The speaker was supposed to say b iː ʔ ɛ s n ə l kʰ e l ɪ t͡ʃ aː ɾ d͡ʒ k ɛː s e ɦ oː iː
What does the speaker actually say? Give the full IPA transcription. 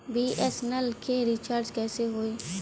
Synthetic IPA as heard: b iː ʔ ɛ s n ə l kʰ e ɾ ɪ t͡ʃ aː ɾ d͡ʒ k ɛː s e ɦ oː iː

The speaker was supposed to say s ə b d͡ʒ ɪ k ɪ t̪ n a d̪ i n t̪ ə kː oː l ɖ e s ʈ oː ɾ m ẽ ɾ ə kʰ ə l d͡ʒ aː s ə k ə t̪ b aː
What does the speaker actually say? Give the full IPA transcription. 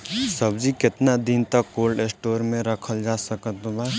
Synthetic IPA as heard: s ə b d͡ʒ i k ɪ t̪ n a d̪ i n t̪ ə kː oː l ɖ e s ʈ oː ɾ m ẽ ɾ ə kʰ ə l d͡ʒ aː s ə k ə t̪ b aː

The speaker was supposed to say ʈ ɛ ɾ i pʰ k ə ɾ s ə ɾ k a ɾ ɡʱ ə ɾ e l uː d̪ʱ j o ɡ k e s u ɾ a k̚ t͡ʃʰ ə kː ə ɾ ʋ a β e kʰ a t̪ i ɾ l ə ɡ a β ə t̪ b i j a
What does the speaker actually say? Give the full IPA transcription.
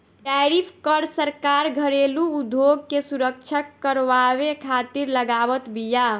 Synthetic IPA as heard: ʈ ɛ ɾ i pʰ k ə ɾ s ə ɾ k a ɾ ɡʱ ə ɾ e l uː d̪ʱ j o ɡ k e s u ɾ ə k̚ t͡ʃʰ ə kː ə ɾ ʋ a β e kʰ a t̪ i ɾ l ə ɡ a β ə t̪ b i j a

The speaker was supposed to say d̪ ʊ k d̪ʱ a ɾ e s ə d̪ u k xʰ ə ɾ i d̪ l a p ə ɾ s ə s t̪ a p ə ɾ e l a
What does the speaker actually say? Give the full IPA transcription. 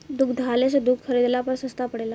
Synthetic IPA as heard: d̪ u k d̪ʱ a l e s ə d̪ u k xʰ ə ɾ i d̪ l a p ə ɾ s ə s t̪ a p ə ɽ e l a

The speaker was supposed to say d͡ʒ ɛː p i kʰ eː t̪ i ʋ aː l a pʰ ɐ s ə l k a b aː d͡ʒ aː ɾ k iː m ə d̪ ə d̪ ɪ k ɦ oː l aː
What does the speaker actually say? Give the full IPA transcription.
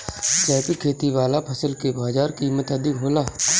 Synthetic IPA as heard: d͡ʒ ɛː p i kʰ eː t̪ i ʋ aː l a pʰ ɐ s ə l k e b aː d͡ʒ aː ɾ k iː m ə t̪ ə d̪ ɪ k ɦ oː l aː

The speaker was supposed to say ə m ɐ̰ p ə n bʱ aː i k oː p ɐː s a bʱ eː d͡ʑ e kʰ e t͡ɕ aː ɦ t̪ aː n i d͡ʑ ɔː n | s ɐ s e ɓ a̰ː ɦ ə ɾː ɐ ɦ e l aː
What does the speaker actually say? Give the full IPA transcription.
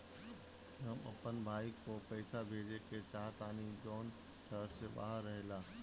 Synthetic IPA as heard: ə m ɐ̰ p ə n bʱ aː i k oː p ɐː s a bʱ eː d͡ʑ e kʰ e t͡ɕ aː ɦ t̪ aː n i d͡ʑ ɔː n | s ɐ s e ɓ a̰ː ɦ ə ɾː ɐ ɦ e l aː

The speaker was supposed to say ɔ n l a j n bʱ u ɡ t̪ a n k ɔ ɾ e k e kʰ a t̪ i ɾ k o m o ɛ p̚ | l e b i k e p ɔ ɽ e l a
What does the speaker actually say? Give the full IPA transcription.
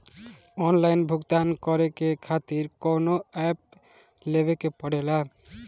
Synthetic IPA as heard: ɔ n l a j n bʱ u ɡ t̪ a n k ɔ ɾ e k e kʰ a t̪ i ɾ k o n o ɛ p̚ | l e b e k e p ɔ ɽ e l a

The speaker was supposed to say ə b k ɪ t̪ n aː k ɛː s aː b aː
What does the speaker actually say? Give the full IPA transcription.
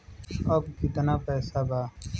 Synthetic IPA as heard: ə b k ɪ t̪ n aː p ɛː s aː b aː

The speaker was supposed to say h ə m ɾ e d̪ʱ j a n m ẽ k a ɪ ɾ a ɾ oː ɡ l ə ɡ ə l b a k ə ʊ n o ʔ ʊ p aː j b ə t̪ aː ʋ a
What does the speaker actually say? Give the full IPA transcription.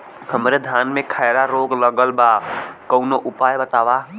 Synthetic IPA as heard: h ə m ɾ e d̪ʱ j a n m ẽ kʰ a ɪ ɾ a ɾ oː ɡ l ə ɡ ə l b a k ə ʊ n o ʔ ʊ p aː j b ə t̪ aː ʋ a

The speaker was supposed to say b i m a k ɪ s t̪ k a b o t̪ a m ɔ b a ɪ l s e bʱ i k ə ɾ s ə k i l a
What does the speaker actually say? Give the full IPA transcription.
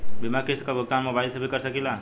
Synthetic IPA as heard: b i m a k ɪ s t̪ k a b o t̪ a m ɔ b a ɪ l s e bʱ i k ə ɾ s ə k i l a

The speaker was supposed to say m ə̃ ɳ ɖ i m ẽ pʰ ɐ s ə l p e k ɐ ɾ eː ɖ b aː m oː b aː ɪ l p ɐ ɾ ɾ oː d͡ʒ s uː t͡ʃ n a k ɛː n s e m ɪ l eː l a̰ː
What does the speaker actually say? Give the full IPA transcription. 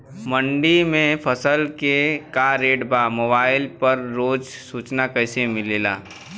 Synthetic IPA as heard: m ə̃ ɳ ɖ i m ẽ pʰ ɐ s ə l k e k a ɾ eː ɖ b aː m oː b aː ɪ l p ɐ ɾ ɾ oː d͡ʒ s uː t͡ʃ n a k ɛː s e m ɪ l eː l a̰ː

